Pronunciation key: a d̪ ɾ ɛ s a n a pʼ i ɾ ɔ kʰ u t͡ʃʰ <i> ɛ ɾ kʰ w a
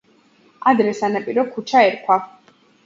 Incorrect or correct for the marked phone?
incorrect: a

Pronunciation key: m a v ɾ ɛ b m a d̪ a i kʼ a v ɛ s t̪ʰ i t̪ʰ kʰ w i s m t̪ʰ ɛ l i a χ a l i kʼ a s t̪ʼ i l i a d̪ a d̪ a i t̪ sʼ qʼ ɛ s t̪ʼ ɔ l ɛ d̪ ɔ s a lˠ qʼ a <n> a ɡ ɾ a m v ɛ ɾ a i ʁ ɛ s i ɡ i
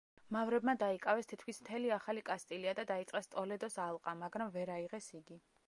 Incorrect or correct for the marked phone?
incorrect: m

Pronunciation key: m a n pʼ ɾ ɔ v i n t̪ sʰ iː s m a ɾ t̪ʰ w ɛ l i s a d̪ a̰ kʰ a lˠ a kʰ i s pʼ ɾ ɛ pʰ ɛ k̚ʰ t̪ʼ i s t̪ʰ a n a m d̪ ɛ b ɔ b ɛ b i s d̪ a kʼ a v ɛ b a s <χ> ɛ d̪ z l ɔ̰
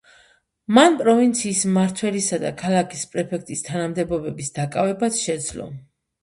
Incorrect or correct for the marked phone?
incorrect: ʃ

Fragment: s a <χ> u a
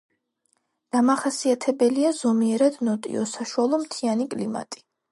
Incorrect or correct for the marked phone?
incorrect: ʃ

